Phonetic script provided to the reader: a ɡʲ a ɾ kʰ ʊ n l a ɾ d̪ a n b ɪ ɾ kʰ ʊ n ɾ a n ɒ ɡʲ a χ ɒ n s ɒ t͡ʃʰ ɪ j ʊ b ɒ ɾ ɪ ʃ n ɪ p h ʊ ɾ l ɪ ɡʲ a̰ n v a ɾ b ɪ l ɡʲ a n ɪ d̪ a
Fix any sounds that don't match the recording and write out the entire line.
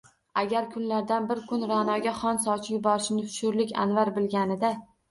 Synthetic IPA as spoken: a ɡʲ a ɾ kʰ ʊ n l a ɾ d̪ a n b ɪ ɾ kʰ ʊ n ɾ a n ɒ ɡʲ a χ ɒ n s ɒ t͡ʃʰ ɪ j ʊ b ɒ ɾ ɪ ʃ n ɪ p ʃ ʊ ɾ l ɪ kʲ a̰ n v a ɾ b ɪ l ɡʲ a n ɪ d̪ a